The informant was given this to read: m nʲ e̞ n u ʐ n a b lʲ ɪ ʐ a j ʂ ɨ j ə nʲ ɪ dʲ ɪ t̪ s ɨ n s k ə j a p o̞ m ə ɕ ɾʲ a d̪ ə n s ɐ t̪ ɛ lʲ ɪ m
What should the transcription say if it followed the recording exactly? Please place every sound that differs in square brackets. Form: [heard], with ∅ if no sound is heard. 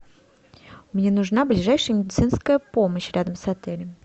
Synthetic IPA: m nʲ e̞ n [ʊ] ʐ n a b lʲ ɪ ʐ a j ʂ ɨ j ə [mʲ] ɪ dʲ ɪ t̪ s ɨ n s k ə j [ə] p o̞ m ə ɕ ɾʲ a d̪ ə [m] s ɐ t̪ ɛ lʲ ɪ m